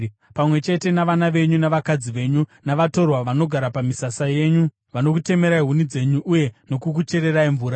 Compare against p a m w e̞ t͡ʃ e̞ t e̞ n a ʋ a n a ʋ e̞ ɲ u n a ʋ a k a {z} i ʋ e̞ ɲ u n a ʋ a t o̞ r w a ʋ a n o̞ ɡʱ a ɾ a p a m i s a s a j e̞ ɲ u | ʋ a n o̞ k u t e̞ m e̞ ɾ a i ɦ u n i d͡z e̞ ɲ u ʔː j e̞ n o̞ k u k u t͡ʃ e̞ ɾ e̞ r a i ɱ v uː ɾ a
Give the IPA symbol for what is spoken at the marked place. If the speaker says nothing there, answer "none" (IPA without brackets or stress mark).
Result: d͡z